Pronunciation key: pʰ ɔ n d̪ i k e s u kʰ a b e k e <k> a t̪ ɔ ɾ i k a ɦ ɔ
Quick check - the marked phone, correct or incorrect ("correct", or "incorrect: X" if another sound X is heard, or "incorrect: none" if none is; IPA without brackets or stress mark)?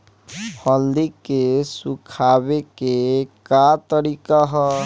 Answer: correct